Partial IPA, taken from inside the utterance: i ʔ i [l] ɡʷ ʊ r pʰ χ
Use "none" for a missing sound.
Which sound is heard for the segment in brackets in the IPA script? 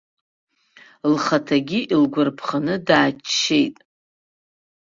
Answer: l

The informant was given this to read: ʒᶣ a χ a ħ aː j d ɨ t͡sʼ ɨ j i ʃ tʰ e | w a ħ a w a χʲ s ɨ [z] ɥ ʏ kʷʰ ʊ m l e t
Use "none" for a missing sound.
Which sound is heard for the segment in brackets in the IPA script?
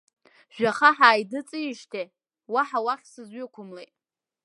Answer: z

